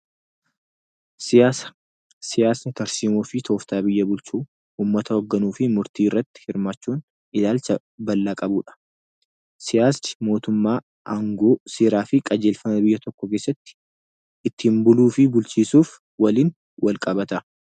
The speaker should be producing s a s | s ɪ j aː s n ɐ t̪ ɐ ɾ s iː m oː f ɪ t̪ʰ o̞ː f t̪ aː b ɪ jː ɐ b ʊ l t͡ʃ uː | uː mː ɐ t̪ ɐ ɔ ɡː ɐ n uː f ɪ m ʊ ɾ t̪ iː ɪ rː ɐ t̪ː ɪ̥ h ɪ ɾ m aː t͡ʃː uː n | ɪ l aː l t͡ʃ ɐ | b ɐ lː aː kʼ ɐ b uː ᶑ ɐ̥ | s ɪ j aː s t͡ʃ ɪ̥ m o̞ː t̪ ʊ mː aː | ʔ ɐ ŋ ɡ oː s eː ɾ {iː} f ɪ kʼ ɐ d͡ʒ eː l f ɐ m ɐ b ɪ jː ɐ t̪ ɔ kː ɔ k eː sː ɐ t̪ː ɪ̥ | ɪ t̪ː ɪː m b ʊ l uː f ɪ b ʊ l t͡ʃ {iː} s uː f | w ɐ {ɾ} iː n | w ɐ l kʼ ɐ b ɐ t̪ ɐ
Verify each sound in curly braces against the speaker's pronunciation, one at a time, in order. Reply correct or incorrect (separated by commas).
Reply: incorrect, correct, incorrect